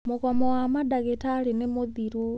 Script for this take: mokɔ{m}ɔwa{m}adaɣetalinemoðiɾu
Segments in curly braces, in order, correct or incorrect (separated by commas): correct, correct